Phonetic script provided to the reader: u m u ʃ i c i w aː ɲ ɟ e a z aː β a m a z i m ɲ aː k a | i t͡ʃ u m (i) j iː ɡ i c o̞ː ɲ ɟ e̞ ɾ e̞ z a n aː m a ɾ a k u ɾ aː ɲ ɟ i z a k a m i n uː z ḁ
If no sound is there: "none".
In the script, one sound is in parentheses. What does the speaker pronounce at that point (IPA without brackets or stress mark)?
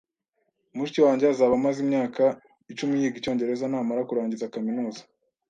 i